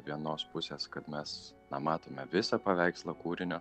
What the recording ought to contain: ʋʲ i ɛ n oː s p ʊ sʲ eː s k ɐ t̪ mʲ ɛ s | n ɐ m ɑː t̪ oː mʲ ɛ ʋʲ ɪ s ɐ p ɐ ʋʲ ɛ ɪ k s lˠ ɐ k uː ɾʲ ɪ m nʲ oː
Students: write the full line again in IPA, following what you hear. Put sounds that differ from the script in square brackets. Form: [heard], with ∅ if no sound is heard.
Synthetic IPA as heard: ʋʲ i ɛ n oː s p ʊ sʲ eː s k ɐ t̪ mʲ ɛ s | n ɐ m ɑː t̪ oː mʲ ɛ ʋʲ ɪ s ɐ p ɐ ʋʲ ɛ ɪ k s lˠ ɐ k uː ɾʲ ɪ [∅] nʲ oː